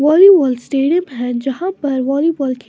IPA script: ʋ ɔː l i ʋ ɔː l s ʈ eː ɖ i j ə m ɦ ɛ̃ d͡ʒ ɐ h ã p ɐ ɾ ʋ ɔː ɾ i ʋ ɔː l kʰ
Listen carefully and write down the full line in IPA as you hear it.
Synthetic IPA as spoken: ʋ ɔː l i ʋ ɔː l s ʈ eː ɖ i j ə m ɦ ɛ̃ d͡ʒ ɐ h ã p ɐ ɾ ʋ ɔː l i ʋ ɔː l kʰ